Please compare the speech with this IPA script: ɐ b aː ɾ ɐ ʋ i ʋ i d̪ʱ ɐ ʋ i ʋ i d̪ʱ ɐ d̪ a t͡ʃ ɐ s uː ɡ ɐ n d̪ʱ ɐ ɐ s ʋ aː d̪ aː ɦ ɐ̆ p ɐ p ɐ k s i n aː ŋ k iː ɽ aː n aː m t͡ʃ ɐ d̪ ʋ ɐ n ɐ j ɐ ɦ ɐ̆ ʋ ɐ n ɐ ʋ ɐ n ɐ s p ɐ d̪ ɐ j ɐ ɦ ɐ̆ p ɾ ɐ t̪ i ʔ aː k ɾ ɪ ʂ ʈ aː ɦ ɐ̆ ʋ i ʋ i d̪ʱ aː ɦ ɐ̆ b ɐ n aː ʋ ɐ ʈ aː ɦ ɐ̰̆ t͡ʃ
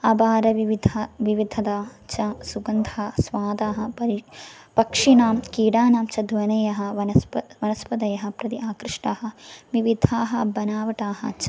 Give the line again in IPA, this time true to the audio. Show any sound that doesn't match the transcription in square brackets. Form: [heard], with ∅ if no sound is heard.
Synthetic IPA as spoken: ɐ b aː ɾ ɐ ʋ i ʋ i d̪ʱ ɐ ʋ i ʋ i d̪ʱ ɐ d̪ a t͡ʃ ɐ s [u] ɡ ɐ n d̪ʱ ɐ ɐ s ʋ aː d̪ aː ɦ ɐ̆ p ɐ p ɐ k [ʂ] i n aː [m] k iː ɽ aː n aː m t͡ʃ ɐ d̪ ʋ ɐ n ɐ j ɐ ɦ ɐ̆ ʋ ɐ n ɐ ʋ ɐ n ɐ s p ɐ d̪ ɐ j ɐ ɦ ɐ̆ p ɾ ɐ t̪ i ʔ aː k ɾ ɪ ʂ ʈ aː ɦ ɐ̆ ʋ i ʋ i d̪ʱ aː ɦ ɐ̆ b ɐ n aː ʋ ɐ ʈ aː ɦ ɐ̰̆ t͡ʃ